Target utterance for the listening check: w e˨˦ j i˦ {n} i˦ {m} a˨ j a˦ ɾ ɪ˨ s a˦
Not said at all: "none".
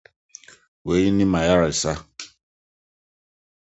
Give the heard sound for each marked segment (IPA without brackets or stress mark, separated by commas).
n, m